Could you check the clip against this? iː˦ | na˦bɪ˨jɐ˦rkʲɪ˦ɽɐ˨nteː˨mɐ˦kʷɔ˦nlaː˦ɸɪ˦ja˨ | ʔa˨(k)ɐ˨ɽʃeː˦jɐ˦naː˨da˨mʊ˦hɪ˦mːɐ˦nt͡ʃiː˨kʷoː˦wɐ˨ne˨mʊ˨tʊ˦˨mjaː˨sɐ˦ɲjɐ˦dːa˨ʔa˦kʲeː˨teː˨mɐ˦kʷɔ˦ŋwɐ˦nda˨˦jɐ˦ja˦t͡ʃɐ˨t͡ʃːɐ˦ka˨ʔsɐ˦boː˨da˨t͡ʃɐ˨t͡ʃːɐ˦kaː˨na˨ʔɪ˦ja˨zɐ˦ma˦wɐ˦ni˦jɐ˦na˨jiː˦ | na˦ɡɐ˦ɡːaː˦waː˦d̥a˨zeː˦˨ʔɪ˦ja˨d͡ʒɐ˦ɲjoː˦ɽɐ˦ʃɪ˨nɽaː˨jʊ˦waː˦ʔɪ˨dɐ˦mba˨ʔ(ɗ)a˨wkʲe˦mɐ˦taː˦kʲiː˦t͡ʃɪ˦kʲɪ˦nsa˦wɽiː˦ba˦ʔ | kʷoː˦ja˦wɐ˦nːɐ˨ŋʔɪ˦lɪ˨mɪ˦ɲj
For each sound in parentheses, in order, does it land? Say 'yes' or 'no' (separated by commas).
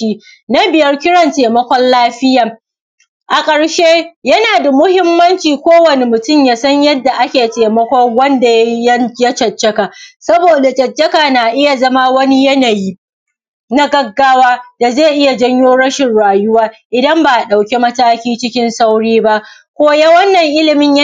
no, yes